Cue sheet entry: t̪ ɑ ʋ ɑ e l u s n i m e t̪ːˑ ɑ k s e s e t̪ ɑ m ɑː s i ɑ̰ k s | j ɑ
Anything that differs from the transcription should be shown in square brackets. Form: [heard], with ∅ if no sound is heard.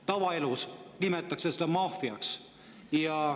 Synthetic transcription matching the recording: t̪ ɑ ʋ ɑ e l u s n i m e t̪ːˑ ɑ k s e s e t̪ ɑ m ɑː [f] i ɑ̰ k s | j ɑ